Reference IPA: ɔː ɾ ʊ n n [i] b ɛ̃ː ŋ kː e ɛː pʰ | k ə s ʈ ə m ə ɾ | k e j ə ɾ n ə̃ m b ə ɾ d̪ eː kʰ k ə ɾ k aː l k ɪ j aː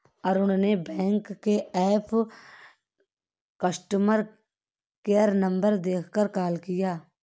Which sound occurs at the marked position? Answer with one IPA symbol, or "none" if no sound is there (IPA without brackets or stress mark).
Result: e